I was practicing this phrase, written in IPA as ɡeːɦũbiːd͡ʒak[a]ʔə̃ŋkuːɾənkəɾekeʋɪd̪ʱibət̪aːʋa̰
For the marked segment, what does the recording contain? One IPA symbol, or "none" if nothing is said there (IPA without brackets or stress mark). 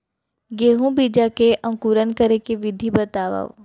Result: e